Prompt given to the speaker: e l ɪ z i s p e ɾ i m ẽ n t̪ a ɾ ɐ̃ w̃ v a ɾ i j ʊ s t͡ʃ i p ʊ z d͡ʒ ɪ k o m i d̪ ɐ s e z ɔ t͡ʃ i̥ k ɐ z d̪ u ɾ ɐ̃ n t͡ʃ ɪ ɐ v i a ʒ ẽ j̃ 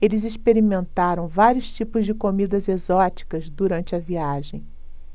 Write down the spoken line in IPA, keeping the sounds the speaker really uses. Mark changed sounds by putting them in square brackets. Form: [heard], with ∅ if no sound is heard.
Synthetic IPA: e l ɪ z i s p e ɾ i m ẽ n t̪ a ɾ ɐ̃ w̃ v a ɾ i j ʊ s t͡ʃ i p ʊ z d͡ʒ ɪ k o m i d̪ ɐ [z] e z ɔ t͡ʃ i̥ k ɐ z d̪ u ɾ ɐ̃ n t͡ʃ ɪ ɐ v i a ʒ ẽ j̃